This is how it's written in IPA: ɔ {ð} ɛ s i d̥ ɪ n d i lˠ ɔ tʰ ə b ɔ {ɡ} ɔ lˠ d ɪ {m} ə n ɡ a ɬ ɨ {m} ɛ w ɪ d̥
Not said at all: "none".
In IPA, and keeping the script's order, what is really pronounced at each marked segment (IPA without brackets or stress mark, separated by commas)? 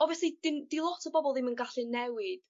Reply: v, b, m, n